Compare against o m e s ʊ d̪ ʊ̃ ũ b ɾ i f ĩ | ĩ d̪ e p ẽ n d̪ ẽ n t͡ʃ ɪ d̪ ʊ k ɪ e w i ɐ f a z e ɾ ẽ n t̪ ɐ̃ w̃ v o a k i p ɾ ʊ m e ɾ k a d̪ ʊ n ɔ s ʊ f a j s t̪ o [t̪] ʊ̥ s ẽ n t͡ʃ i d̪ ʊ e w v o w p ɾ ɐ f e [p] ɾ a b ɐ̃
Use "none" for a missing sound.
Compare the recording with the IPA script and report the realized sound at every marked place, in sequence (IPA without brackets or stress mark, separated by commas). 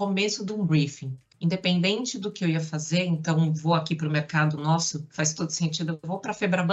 d̪, b